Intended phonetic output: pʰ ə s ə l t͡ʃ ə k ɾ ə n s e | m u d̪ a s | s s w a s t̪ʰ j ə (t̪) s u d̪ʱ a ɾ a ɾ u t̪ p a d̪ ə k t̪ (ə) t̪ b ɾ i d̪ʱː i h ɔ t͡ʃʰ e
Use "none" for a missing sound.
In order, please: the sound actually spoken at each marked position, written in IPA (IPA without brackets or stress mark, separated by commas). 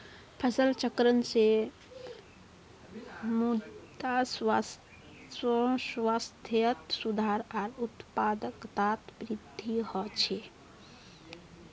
t̪, a